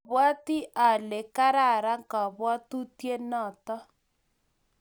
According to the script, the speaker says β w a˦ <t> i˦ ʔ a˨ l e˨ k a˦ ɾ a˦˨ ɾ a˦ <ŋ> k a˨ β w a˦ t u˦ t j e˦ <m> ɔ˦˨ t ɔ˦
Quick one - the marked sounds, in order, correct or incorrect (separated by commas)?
correct, correct, incorrect